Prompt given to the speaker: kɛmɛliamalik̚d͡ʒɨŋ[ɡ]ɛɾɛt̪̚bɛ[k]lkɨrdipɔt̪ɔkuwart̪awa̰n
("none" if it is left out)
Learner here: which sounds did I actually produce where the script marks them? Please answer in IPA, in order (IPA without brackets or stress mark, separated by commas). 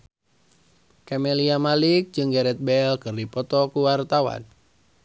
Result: ɡ, none